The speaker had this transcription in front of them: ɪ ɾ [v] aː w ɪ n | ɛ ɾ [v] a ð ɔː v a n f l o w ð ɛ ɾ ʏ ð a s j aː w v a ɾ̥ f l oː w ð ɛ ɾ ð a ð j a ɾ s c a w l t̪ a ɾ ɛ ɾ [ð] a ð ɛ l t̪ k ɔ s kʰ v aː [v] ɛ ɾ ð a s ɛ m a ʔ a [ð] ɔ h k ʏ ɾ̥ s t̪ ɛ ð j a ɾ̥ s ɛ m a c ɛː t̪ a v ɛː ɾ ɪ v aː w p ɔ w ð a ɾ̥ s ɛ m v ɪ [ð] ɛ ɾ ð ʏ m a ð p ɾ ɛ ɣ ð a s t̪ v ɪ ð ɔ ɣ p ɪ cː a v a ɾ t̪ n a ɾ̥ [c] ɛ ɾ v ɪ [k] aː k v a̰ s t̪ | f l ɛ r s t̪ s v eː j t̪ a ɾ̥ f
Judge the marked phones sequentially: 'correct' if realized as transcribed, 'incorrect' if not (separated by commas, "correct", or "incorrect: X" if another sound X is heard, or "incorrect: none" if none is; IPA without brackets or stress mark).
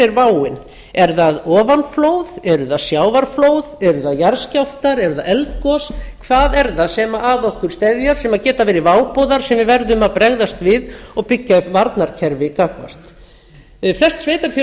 correct, incorrect: ð, correct, incorrect: ð, correct, incorrect: v, incorrect: cʰ, correct